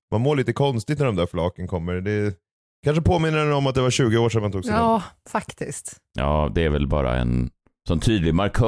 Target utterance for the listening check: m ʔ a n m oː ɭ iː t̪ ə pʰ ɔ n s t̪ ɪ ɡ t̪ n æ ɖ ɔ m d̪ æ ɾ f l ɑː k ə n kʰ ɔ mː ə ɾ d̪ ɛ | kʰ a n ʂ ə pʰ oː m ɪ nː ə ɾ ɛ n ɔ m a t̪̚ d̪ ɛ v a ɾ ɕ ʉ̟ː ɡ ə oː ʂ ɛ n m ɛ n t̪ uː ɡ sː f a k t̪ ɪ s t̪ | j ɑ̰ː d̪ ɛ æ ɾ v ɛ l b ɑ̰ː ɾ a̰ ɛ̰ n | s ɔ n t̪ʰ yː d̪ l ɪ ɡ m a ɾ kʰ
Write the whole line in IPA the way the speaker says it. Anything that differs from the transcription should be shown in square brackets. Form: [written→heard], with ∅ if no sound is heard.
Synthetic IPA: m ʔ a n m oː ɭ iː t̪ ə [pʰ→kʰ] ɔ n s t̪ ɪ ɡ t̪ n æ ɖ ɔ m d̪ æ ɾ f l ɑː k ə n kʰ ɔ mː ə ɾ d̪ ɛ | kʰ a n ʂ ə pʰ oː m ɪ nː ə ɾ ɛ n ɔ m a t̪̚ d̪ ɛ v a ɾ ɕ ʉ̟ː ɡ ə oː ʂ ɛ n m [ɛ→a] n t̪ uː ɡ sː f a k t̪ ɪ s t̪ | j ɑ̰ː d̪ ɛ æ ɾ v ɛ l b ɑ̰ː ɾ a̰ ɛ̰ n | s ɔ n t̪ʰ yː d̪ l ɪ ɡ m a ɾ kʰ